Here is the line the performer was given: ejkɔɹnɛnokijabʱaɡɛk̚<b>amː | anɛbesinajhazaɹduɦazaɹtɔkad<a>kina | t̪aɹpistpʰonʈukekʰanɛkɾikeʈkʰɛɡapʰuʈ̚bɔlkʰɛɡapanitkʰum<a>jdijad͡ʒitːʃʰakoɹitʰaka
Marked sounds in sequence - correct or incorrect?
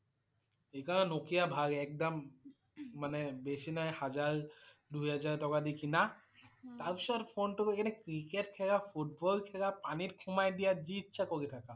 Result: incorrect, incorrect, correct

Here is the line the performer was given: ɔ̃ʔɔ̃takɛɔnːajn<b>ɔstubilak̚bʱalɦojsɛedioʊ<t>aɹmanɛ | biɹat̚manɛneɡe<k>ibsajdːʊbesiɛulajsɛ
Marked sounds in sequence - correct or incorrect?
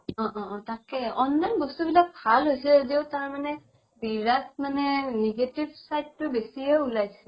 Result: correct, correct, incorrect

